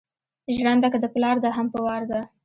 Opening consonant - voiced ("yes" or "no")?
yes